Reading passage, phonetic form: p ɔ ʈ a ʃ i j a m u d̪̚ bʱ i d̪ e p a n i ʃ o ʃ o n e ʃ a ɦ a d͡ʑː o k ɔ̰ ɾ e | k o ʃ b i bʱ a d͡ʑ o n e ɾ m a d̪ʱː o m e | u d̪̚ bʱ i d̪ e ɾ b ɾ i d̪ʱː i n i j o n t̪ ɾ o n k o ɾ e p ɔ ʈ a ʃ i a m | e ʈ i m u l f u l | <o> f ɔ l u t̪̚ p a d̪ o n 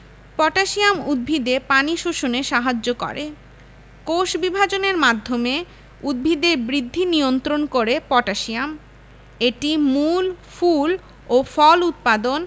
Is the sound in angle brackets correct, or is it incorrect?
correct